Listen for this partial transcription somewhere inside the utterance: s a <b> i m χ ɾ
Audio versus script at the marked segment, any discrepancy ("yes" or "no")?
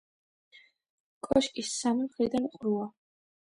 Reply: yes